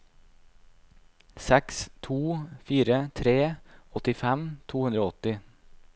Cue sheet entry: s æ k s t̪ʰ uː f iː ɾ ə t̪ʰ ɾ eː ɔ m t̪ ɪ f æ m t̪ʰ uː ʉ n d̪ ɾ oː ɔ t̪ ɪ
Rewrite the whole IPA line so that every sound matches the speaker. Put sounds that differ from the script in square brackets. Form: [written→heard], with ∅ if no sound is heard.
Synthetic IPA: s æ k s t̪ʰ uː f iː ɾ ə t̪ʰ ɾ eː ɔ [m→∅] t̪ ɪ f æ m t̪ʰ uː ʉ n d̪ ɾ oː ɔ t̪ ɪ